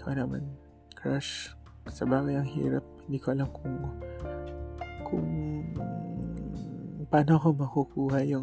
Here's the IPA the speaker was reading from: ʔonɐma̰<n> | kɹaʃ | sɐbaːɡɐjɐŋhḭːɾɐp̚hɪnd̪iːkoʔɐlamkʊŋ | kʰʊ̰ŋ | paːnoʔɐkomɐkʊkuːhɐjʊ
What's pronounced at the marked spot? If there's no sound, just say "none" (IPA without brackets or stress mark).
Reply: n